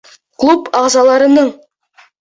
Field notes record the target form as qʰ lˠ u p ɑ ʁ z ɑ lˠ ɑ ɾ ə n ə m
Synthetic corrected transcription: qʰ lˠ u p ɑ ʁ z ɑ lˠ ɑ ɾ ə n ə ɴ